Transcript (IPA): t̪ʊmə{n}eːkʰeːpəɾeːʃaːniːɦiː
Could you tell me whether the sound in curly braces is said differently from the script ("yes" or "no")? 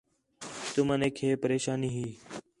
no